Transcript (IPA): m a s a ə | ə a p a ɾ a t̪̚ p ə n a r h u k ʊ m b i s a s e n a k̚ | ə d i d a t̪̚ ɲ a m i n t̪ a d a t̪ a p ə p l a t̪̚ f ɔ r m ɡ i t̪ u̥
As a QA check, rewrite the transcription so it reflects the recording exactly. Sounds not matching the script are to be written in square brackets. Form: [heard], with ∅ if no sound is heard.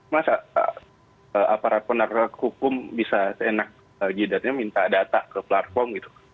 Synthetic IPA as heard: m a s a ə | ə a p a ɾ a t̪̚ p ə n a r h u k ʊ m b i s a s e n a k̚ | ə [d͡ʒ] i d a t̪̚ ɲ a m i n t̪ a d a t̪ a [k] ə p l a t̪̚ f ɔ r m ɡ i t̪ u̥